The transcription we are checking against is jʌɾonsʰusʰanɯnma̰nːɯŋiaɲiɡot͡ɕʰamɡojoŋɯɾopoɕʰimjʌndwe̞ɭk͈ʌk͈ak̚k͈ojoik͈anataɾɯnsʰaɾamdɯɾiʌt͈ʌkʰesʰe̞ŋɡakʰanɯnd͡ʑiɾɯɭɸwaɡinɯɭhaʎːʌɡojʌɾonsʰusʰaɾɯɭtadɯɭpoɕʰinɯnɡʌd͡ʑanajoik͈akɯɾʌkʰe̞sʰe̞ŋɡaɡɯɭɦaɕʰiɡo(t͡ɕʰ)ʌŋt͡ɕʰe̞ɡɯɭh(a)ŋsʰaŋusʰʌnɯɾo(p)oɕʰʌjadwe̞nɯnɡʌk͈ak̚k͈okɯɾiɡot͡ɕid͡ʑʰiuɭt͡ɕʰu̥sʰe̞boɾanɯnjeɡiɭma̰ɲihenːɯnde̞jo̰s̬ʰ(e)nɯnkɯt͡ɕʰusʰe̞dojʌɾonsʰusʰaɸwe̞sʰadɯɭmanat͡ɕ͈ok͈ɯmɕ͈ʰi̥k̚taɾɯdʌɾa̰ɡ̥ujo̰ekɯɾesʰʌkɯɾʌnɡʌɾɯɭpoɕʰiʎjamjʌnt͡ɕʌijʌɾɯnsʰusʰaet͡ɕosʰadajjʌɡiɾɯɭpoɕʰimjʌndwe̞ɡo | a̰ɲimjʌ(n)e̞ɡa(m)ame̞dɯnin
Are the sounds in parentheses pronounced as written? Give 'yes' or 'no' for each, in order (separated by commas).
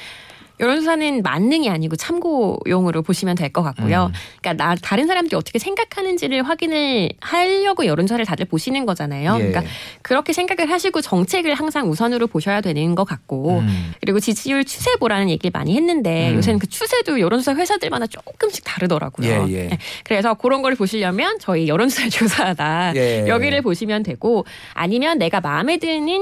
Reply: no, yes, yes, yes, no, yes